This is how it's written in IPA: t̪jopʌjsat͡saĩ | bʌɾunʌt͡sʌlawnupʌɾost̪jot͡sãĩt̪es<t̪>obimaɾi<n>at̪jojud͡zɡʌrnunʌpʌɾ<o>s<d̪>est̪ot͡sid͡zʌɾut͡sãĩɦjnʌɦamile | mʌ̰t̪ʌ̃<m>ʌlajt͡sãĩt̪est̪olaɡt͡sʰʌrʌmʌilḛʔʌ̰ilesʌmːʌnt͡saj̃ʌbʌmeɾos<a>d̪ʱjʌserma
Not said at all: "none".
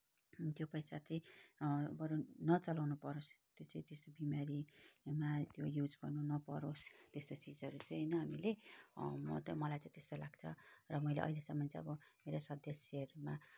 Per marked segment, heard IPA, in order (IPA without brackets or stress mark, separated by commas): t̪, m, o, t̪, m, ʌ